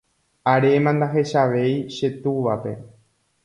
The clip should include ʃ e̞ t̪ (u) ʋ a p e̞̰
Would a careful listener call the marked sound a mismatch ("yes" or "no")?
no